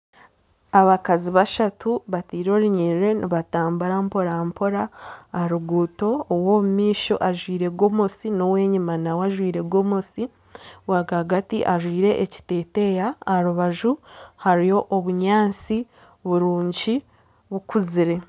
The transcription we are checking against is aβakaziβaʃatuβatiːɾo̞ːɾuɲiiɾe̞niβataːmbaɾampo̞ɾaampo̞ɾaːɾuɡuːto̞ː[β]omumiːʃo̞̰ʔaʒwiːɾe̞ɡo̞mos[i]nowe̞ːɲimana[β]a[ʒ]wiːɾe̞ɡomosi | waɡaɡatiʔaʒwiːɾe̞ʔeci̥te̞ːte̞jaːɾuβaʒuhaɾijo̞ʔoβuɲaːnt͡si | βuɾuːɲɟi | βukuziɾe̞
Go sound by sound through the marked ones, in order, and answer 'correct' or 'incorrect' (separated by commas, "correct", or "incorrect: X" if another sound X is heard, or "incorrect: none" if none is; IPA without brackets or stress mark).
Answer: incorrect: w, correct, incorrect: w, correct